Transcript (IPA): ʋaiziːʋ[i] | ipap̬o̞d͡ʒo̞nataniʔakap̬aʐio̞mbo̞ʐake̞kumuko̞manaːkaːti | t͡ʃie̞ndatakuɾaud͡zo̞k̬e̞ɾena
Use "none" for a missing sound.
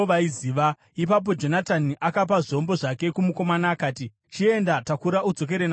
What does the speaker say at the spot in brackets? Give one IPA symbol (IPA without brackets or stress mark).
a